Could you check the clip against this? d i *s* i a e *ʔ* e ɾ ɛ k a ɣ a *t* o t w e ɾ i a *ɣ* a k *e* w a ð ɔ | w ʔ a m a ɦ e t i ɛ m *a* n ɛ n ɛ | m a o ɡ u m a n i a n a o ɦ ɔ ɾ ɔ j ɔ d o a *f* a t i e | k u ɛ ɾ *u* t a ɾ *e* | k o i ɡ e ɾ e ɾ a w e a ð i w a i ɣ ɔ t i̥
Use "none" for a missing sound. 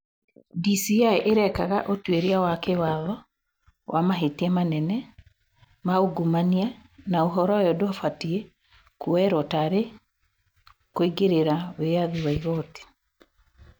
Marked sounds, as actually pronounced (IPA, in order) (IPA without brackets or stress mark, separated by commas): s, ʔ, ʔ, w, e, a, f, ɔ, e